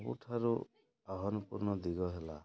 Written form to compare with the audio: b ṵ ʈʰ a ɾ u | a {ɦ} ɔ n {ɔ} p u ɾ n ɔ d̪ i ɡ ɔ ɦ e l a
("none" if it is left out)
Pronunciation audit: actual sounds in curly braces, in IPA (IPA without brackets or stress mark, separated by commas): ɦ, u